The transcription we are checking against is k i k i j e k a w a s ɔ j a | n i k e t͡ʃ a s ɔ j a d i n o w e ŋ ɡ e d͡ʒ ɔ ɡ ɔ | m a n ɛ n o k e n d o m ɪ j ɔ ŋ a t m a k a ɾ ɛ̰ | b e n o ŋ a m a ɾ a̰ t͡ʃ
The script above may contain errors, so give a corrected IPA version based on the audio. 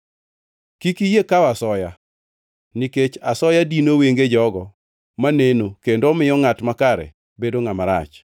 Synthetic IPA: k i k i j e k a w a s ɔ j a | n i k e t͡ʃ a s ɔ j a d i n o w e ŋ ɡ e d͡ʒ ɔ ɡ ɔ | m a n e n o k e n d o m ɪ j ɔ ŋ a t m a k a ɾ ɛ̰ | b e d o ŋ a m a ɾ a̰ t͡ʃ